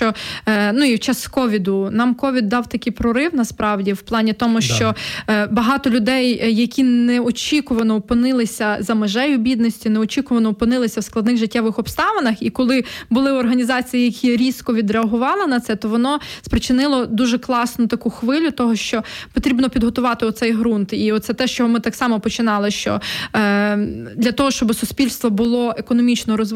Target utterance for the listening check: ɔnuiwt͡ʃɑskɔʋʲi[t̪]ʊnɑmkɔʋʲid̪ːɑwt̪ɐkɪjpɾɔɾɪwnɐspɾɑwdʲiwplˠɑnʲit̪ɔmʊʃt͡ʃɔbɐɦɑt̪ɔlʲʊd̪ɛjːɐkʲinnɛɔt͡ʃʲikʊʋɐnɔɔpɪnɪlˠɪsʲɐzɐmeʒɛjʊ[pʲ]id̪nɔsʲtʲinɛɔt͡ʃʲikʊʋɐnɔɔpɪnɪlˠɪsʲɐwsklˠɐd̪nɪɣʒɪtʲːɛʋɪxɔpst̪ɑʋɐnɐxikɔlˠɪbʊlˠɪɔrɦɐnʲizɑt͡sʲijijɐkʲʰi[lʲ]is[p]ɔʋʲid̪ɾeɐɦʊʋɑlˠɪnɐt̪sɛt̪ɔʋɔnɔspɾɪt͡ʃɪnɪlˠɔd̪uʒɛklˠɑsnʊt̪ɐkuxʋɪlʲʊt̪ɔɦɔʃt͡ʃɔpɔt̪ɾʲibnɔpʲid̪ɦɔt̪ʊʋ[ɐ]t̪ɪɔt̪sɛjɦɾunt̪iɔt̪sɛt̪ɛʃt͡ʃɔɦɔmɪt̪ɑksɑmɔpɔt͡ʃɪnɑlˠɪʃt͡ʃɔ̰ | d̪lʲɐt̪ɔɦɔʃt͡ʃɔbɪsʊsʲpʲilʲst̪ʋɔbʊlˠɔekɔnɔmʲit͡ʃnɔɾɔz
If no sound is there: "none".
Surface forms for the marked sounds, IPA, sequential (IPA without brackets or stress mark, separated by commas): d̪, bʲ, ɾʲ, k, ɑ